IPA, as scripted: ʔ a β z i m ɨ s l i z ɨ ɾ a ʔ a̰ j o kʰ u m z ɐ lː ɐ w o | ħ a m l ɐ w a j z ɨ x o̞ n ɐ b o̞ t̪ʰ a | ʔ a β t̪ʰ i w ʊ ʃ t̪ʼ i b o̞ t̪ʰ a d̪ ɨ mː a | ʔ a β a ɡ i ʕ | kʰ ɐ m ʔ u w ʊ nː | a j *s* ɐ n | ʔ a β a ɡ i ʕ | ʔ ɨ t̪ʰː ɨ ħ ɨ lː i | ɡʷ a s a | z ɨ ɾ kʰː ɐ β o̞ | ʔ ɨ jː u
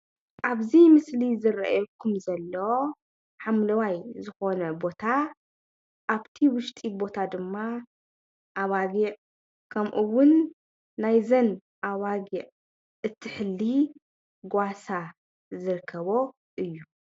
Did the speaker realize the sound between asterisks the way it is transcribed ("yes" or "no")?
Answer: no